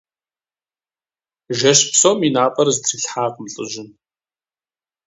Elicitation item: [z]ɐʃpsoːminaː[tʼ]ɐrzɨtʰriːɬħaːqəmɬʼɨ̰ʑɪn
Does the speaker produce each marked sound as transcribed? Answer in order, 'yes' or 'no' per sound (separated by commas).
no, no